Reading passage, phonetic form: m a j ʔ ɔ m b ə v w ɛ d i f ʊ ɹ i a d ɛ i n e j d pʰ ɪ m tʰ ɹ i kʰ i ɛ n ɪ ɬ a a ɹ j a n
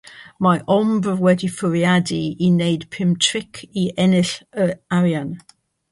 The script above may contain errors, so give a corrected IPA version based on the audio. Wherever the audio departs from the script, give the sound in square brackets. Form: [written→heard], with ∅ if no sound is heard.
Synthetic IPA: m a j ʔ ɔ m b ə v w ɛ d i f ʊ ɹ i a d [ɛ→i] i n e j d pʰ ɪ m tʰ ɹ [i→ɪ] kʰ i ɛ n ɪ ɬ [a→ə] a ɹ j a n

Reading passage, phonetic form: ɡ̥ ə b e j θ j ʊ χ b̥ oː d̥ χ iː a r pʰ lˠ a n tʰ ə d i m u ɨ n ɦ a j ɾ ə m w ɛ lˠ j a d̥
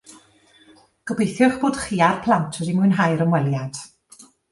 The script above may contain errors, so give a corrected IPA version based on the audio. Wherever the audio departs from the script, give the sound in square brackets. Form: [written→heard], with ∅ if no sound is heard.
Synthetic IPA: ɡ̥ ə b e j θ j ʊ χ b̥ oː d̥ χ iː a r pʰ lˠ a n tʰ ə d i m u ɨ n ɦ a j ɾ ə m w ɛ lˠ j a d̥

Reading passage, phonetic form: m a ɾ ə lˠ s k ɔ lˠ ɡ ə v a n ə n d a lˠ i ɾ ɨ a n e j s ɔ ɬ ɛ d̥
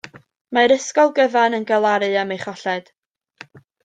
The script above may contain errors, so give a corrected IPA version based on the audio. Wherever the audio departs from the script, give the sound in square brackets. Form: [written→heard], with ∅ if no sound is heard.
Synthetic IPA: m a ɾ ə [lˠ→∅] s k ɔ lˠ ɡ ə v a n ə n [d→ɡ] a lˠ [i→a] ɾ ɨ a [n→m] e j [s→χ] ɔ ɬ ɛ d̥

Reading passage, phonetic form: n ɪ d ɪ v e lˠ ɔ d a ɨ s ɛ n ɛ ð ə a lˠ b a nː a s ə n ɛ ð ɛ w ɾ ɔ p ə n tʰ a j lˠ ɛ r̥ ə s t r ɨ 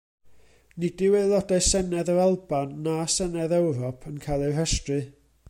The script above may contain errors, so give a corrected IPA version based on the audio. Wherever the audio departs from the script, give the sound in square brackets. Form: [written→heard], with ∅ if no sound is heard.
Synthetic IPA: n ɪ d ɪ [v→w] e lˠ ɔ d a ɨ s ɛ n ɛ ð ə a lˠ b a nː a s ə n ɛ ð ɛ w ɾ ɔ [p→pʰ] ə n [tʰ→kʰ] a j lˠ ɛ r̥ ə s t r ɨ

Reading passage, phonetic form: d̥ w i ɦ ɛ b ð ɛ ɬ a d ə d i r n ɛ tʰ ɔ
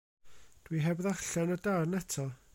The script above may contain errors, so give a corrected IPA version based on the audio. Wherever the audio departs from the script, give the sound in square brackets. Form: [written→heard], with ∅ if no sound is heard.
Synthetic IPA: d̥ w i ɦ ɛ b ð [ɛ→a] ɬ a [d→n] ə d [i→a] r n ɛ tʰ ɔ

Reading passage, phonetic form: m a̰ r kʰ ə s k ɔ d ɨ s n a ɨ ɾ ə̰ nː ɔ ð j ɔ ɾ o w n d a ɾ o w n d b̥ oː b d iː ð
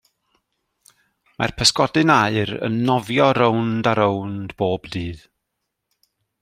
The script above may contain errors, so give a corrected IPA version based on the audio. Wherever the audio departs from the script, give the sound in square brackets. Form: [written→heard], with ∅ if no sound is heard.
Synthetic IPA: m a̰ r [kʰ→pʰ] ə s k ɔ d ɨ [s→∅] n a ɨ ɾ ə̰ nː ɔ [ð→v] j ɔ ɾ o w n d a ɾ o w n d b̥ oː b d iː ð

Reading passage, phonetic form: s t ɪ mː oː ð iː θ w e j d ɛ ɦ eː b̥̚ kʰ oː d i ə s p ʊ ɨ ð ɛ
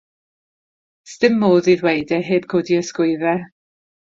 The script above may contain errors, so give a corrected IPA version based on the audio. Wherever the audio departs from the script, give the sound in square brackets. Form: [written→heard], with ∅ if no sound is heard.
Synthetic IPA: s t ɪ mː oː ð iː [θ→ð] w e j d ɛ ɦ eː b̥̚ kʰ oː d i ə s [p→k] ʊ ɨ ð ɛ

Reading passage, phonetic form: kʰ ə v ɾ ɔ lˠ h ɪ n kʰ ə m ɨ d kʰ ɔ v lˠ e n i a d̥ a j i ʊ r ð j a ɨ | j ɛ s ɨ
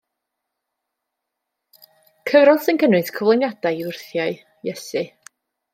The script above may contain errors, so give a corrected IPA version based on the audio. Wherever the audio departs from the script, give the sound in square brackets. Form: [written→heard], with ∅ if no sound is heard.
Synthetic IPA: kʰ ə v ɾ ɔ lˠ [h→s] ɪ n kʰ ə [m→n] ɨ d kʰ ɔ v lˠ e n [i→j] a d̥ a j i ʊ r [ð→θ] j a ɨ | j ɛ s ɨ

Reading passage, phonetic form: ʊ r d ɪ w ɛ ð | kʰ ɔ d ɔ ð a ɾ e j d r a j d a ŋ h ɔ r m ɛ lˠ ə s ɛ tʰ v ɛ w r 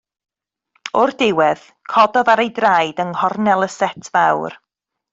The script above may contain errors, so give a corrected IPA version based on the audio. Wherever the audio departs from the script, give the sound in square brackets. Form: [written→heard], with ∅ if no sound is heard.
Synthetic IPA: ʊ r d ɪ w ɛ ð | kʰ ɔ d ɔ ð a ɾ e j d r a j d [a→ə] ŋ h ɔ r [m→n] ɛ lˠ ə s ɛ tʰ v [ɛ→a] w r

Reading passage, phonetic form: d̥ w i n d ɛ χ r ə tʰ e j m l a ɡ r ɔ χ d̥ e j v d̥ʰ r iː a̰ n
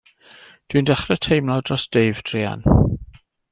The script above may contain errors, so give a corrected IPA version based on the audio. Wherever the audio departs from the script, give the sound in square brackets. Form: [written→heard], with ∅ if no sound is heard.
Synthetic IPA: d̥ w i n d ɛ χ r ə tʰ e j m l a [ɡ→d] r ɔ [χ→s] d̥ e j v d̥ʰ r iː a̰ n

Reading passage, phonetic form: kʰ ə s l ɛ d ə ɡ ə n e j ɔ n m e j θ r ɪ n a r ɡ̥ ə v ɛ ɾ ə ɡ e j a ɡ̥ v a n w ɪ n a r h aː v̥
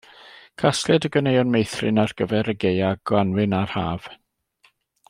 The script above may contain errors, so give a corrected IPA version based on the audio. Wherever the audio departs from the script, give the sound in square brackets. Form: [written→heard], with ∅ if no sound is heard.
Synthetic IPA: kʰ [ə→a] s l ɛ d ə ɡ ə n e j ɔ n m e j θ r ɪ n a r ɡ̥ ə v ɛ ɾ ə ɡ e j a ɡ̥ [v→w] a n w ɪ n a r h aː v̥

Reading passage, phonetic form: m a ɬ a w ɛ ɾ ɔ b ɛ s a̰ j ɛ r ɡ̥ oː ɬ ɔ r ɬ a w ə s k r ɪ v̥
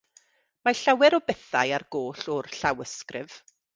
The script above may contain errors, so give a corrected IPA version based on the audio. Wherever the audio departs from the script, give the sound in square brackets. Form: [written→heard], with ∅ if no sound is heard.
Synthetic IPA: m a ɬ a w ɛ ɾ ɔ b ɛ [s→θ] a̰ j [ɛ→a] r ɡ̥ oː ɬ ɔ r ɬ a w ə s k r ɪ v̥

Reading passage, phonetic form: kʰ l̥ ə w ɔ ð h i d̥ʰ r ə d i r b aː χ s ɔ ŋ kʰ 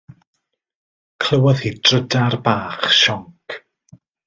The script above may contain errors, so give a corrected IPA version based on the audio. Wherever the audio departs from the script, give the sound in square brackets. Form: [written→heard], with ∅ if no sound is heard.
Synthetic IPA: kʰ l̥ ə w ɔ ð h i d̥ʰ r ə d [i→a] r b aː χ [s→ʃ] ɔ ŋ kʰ

